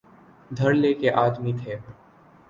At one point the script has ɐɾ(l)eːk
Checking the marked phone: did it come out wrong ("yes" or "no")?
no